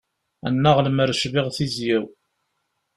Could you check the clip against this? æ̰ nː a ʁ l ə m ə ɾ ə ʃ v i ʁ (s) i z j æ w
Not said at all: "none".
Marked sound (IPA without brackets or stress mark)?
θ